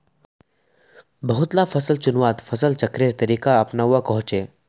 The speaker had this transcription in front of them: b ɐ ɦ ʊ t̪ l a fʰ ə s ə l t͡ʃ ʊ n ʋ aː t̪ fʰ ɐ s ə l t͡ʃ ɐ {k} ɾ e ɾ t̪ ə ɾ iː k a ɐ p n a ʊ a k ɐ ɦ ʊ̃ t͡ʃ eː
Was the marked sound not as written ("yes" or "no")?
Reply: no